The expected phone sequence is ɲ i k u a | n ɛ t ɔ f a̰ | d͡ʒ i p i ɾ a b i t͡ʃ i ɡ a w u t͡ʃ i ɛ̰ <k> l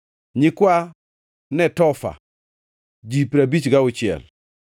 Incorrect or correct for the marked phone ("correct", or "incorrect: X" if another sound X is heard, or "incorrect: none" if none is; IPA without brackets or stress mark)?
incorrect: none